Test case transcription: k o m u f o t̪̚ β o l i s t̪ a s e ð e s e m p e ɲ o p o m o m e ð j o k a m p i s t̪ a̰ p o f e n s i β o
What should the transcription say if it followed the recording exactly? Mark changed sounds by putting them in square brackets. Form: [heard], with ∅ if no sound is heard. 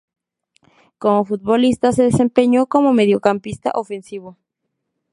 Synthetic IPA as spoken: k o m [o] f [u] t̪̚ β o l i s t̪ a s e ð e s e m p e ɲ o [k] o m o m e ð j o k a m p i s t̪ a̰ [ʔ] o f e n s i β o